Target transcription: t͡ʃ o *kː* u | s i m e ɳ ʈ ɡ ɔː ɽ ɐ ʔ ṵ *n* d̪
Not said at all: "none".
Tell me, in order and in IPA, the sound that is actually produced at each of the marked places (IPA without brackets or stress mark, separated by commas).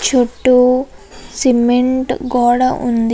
ʈː, n